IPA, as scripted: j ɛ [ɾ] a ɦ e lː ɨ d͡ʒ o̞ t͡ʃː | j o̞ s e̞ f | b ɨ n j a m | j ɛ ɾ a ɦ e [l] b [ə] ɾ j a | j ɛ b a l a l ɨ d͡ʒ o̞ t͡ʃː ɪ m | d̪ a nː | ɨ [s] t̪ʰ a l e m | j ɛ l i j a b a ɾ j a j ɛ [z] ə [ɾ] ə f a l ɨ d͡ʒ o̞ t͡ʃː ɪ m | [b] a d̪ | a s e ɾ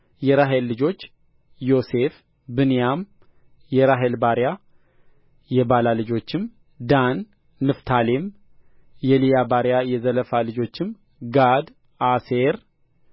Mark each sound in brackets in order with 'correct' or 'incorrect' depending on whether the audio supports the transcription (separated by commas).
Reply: correct, correct, incorrect, incorrect, correct, incorrect, incorrect